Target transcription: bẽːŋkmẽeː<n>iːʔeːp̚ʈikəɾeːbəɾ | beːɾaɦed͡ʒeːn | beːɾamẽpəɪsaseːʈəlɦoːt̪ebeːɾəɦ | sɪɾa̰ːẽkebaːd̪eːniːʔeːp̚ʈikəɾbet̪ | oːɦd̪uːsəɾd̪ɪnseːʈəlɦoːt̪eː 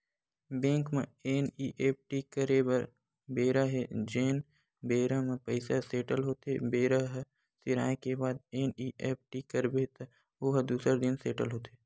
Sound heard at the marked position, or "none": n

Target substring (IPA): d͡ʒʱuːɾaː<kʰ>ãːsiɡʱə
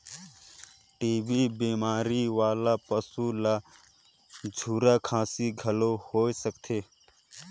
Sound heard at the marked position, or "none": kʰ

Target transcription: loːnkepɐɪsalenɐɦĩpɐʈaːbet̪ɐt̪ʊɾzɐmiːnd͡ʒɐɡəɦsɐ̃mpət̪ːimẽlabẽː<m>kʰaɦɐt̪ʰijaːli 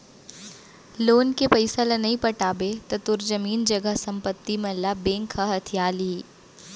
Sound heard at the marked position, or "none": ŋ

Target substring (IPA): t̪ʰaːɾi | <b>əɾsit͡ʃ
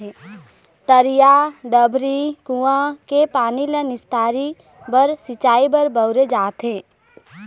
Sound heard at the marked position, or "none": b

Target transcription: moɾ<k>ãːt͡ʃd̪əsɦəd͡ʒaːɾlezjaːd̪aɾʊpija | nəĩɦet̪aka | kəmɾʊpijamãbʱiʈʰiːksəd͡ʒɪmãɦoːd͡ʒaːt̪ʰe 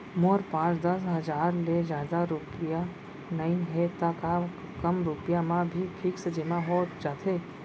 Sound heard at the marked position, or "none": p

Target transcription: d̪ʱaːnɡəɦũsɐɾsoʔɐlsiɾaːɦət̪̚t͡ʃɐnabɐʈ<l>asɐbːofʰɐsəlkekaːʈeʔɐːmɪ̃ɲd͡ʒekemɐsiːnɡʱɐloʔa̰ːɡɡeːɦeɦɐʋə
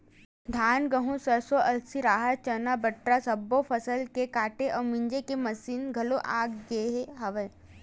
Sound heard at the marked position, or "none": ɾ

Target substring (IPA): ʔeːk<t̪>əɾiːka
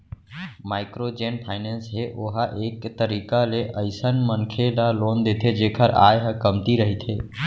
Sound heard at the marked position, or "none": t̪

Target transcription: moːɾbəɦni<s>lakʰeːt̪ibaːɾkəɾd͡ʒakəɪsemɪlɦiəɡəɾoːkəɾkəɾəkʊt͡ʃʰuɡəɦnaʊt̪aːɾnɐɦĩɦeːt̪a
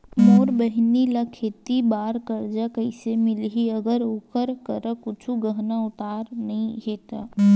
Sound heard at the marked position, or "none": none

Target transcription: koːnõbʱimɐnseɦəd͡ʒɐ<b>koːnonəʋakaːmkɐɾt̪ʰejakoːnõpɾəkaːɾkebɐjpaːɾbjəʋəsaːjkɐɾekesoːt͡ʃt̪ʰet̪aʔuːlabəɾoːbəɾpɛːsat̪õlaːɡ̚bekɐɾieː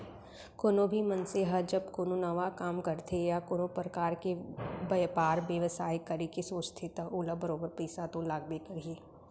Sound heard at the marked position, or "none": b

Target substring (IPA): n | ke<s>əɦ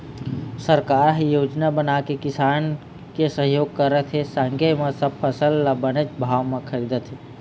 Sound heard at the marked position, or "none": s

